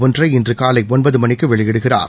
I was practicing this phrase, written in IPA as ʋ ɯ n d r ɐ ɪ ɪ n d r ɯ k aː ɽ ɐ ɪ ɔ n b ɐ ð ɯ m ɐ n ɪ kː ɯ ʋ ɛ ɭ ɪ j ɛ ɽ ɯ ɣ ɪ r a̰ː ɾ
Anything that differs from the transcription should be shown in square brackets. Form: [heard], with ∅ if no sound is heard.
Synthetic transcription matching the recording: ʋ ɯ n d r ɐ ɪ ɪ n d r ɯ k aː [l] ɐ ɪ ɔ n b ɐ ð ɯ m ɐ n ɪ kː ɯ ʋ ɛ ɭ ɪ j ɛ ɽ ɯ ɣ ɪ r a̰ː ɾ